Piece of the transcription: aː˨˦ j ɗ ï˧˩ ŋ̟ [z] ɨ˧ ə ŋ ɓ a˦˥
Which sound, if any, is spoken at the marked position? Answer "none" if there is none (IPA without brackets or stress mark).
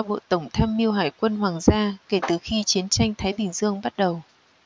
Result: z